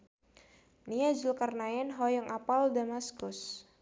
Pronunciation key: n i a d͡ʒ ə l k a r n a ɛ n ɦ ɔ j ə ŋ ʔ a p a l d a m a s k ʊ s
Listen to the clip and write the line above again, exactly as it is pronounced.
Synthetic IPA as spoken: n i a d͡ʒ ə l k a r n a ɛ n ɦ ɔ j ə ŋ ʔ a p a l d a m a s k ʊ s